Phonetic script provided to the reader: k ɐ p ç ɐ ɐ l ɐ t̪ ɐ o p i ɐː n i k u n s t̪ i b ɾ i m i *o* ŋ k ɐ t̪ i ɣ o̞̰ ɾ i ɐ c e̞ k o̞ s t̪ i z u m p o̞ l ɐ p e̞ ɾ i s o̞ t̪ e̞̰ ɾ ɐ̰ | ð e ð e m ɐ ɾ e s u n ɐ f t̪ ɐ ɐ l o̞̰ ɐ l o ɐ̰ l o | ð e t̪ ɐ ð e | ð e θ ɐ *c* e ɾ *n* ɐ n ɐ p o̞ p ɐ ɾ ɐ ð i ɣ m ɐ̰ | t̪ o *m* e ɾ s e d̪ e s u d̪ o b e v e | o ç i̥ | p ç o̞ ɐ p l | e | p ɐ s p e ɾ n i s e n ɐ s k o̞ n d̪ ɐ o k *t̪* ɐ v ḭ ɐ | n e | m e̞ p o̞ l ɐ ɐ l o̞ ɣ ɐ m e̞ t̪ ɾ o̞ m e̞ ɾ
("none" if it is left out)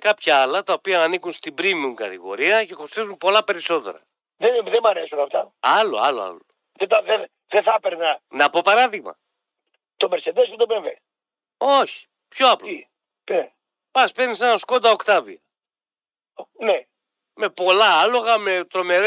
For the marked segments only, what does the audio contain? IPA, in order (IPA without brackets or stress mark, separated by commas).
u, p, n, m, t̪